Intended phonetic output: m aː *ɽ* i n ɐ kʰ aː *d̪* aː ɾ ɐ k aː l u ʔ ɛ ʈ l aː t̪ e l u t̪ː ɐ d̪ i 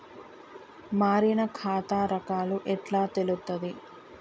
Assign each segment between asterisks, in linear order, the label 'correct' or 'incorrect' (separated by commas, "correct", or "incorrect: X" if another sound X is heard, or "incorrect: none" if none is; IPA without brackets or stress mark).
incorrect: ɾ, incorrect: t̪